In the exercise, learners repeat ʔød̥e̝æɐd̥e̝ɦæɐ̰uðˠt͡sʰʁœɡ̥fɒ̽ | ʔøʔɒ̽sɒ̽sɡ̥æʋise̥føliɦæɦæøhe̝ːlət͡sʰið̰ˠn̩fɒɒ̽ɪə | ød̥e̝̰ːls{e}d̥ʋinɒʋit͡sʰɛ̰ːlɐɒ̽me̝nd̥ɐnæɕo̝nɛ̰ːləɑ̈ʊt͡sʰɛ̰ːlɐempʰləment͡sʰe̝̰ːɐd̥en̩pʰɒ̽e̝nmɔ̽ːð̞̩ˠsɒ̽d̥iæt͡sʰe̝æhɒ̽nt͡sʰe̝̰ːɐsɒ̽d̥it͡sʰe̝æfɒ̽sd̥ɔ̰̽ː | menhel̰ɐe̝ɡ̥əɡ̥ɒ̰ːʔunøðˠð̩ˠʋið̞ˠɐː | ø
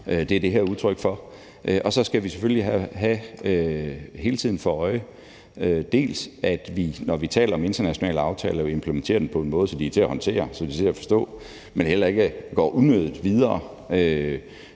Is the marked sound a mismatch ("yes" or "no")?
yes